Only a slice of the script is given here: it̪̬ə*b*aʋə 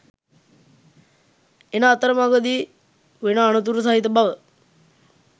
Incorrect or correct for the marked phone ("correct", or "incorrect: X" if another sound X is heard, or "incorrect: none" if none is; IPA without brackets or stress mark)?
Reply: correct